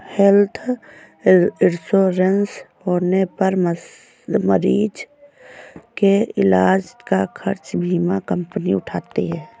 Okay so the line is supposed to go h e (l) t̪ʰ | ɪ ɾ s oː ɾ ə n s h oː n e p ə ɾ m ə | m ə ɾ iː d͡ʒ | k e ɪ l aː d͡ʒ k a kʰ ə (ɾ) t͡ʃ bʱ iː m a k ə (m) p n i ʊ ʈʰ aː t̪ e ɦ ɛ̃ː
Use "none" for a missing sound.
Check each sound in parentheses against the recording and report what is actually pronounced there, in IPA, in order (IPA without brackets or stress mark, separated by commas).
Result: l, ɾ, m